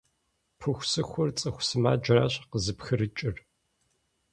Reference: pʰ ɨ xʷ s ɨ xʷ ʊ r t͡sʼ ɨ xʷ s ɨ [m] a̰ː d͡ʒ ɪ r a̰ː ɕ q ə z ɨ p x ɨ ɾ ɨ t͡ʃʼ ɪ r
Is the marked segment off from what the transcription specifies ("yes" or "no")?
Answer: no